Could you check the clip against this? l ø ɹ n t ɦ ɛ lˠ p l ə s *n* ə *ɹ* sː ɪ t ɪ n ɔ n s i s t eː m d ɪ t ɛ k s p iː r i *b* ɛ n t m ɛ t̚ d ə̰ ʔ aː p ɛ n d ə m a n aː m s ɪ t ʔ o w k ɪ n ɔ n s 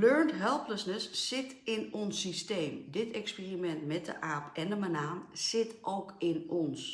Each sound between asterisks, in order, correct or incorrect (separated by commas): correct, incorrect, incorrect